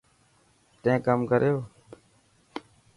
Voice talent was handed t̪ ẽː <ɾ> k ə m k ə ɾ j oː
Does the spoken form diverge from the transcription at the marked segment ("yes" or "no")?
yes